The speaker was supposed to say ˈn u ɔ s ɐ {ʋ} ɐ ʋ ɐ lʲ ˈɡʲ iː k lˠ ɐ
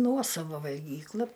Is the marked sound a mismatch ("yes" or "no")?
no